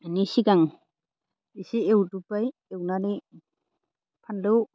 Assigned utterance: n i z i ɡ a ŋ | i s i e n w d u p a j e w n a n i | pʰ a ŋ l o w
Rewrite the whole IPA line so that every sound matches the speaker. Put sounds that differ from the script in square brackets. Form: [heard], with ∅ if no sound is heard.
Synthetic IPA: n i [s] i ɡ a ŋ | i s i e [∅] w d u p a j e w n a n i | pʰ a [n] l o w